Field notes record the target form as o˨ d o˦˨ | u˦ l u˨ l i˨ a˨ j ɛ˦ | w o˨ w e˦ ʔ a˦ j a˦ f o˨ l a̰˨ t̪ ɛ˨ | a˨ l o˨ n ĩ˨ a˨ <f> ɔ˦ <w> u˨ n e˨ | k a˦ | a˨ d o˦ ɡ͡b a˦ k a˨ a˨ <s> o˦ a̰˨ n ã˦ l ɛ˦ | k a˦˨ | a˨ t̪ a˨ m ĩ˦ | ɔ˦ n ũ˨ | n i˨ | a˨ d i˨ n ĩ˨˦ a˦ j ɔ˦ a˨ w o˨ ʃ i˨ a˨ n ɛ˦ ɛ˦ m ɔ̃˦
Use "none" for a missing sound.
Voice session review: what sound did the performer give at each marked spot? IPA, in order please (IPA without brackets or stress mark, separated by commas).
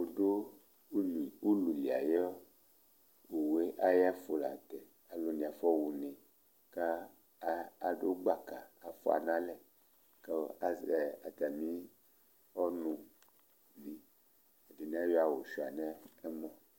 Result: f, w, f